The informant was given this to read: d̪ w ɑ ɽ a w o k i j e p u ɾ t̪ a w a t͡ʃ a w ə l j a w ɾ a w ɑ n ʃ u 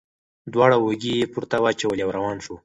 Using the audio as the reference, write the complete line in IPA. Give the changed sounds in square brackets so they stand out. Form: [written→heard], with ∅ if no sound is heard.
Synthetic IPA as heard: d̪ w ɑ ɽ a w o [k→ɡ] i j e p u ɾ t̪ a w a t͡ʃ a w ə l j a w ɾ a w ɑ n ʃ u